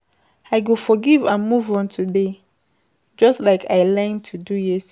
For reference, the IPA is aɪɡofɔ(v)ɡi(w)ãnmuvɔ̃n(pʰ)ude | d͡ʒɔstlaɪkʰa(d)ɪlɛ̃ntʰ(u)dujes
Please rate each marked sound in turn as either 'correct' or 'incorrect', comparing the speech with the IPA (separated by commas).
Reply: incorrect, incorrect, incorrect, incorrect, correct